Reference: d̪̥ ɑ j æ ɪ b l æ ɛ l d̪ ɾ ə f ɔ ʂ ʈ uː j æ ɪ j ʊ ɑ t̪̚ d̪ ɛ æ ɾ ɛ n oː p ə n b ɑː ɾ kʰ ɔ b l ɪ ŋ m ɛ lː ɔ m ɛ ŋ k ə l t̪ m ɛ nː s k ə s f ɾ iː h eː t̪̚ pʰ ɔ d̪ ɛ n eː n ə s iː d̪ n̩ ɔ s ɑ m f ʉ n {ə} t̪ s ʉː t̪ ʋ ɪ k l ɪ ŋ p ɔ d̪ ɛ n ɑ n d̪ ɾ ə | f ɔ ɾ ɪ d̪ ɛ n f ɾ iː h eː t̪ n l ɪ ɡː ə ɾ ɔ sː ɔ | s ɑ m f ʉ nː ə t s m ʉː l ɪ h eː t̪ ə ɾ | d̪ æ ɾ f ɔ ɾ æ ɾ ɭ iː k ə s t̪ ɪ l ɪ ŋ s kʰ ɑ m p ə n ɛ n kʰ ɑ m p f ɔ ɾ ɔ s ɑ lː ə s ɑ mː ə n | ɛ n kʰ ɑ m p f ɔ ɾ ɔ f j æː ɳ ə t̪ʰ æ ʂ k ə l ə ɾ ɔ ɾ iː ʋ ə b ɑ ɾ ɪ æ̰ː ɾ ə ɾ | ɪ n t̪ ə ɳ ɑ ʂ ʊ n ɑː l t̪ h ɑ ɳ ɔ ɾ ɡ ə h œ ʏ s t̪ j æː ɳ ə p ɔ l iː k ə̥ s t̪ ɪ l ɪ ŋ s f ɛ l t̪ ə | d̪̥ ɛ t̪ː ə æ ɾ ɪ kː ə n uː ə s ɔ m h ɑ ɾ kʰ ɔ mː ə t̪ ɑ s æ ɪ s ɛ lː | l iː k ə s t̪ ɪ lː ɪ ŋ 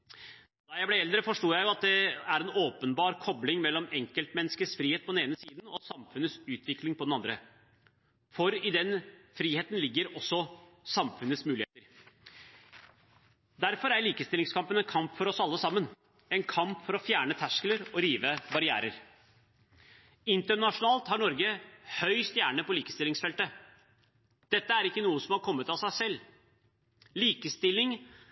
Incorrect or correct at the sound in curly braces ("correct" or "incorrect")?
correct